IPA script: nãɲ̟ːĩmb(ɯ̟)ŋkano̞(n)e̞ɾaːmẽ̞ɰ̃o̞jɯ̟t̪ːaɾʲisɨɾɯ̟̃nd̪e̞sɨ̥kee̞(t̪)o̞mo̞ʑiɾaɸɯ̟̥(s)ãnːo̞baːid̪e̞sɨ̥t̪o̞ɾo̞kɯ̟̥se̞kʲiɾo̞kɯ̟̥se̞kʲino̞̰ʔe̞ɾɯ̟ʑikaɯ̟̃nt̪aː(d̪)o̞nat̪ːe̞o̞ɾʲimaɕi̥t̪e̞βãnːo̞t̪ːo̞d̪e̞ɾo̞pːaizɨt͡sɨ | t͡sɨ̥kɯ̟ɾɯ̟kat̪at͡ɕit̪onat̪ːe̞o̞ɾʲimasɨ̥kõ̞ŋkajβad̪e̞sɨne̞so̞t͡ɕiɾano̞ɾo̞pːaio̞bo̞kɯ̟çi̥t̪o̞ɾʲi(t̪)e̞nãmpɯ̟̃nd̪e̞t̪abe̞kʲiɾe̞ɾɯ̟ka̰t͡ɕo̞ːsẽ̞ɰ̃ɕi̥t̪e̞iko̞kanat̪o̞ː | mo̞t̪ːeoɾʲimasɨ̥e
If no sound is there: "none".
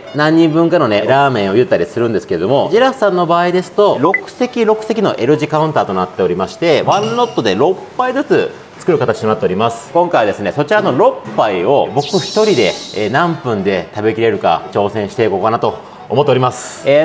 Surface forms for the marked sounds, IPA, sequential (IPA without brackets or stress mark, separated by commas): ɯ̟̃, n, d̪, s, t̪, d̪